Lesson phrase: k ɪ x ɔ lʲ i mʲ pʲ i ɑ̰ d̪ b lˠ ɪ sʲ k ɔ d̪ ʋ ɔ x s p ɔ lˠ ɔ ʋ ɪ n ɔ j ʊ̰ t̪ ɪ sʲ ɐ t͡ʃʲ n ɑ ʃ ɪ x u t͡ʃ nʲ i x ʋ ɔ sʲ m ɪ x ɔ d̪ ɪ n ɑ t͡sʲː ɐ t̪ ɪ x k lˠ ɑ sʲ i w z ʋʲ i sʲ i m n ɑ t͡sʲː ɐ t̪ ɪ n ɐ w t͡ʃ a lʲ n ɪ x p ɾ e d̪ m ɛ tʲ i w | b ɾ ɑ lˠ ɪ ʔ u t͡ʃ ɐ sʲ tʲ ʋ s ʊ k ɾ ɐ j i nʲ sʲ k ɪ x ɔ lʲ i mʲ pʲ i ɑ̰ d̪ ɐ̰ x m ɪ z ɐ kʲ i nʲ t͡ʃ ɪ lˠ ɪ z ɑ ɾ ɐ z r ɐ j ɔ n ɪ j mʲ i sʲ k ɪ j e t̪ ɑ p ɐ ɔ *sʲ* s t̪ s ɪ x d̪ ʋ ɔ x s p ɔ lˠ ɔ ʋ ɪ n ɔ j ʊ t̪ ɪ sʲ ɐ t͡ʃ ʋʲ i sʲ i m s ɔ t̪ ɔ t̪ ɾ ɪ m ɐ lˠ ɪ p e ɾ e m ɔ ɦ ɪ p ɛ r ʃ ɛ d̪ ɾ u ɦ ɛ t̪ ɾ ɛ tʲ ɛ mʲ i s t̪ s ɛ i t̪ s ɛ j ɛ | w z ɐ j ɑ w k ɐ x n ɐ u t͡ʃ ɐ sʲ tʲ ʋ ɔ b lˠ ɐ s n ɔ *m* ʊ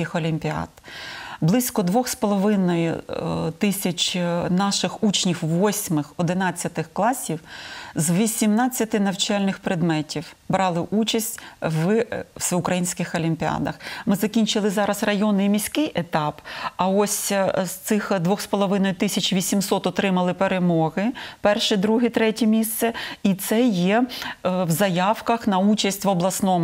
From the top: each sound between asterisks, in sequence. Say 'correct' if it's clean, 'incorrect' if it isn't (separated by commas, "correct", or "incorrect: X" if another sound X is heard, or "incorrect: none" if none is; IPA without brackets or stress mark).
correct, correct